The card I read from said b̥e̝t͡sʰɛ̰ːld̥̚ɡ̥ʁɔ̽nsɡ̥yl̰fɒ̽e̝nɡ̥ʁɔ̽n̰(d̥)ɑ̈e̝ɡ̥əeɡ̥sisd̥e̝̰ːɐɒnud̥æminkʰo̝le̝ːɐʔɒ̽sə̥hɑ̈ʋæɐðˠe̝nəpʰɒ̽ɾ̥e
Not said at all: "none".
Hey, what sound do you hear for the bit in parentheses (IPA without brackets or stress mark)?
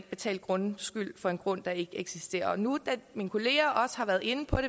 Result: d̥